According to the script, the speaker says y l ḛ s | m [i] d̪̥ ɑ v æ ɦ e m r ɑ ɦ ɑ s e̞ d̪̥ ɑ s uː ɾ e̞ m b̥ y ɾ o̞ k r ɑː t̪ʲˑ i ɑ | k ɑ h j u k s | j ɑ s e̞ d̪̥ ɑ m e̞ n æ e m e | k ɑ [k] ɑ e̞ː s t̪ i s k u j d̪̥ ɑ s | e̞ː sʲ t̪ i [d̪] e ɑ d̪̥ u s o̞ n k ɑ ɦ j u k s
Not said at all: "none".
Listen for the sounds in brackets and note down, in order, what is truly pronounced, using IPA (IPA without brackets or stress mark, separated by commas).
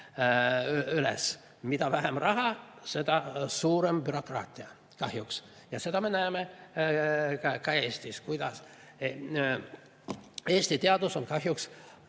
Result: i, k, t̪